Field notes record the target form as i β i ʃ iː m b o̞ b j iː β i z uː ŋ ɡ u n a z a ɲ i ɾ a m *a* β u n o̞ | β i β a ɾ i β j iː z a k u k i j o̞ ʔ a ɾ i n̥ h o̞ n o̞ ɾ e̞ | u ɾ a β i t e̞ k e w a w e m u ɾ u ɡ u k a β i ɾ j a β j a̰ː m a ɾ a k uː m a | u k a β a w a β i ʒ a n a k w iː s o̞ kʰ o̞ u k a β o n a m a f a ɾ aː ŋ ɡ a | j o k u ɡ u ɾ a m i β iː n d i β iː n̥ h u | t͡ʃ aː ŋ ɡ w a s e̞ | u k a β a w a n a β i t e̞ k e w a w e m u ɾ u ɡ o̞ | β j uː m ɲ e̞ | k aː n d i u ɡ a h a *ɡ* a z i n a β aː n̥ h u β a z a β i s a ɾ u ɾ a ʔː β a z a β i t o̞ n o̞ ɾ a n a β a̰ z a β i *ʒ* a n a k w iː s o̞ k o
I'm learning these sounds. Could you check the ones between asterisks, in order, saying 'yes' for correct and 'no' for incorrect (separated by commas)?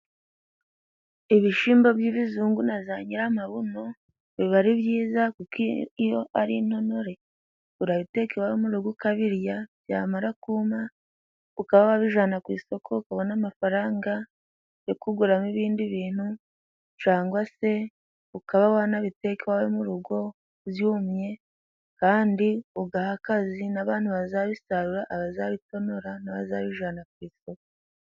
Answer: yes, no, yes